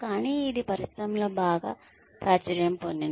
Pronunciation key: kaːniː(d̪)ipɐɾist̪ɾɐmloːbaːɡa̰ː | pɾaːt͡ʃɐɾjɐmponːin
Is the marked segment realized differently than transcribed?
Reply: no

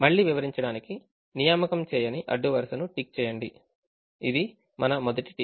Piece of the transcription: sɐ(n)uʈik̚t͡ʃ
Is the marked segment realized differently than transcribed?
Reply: no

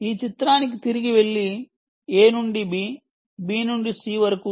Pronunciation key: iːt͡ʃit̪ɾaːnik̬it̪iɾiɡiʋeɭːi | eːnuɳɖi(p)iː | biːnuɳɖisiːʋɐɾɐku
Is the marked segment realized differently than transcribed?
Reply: yes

